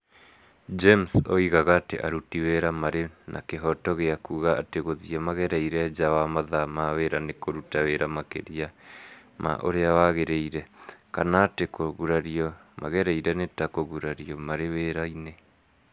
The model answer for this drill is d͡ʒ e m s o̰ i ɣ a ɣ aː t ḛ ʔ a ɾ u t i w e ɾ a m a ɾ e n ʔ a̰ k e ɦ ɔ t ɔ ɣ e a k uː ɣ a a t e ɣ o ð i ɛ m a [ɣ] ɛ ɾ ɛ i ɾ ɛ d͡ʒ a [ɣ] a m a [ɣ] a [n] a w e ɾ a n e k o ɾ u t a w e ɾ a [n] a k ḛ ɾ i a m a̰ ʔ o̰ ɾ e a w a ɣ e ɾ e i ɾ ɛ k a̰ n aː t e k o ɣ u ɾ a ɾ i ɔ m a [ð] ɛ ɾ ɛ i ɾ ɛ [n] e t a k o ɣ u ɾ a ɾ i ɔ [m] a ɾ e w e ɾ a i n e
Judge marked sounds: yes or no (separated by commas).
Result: yes, no, no, no, no, no, yes, yes